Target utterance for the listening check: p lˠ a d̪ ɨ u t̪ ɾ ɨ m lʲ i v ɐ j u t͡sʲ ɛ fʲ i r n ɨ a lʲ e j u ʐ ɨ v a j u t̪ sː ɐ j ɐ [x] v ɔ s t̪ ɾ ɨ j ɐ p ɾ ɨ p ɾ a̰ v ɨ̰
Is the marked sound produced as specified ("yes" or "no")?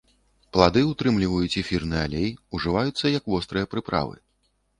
no